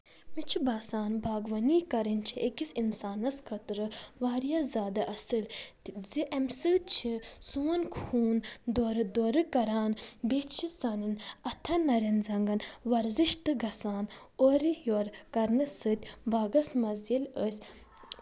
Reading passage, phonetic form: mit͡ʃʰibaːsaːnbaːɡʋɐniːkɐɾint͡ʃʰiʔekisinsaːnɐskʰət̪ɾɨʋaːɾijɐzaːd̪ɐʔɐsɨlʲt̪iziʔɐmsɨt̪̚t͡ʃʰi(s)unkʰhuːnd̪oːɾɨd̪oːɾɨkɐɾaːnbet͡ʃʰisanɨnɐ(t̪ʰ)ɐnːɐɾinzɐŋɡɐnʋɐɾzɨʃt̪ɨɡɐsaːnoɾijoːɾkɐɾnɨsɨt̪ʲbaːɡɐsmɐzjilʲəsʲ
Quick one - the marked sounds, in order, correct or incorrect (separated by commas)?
correct, correct